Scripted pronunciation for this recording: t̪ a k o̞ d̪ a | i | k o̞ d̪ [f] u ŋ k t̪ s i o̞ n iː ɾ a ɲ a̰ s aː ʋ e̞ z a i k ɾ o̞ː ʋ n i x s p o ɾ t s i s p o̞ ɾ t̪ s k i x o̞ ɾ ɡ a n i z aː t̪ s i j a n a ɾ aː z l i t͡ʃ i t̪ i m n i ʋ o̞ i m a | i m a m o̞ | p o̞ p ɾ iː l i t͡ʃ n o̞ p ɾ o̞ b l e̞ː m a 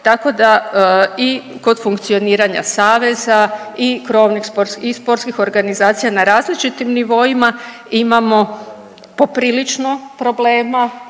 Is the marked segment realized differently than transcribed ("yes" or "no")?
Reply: no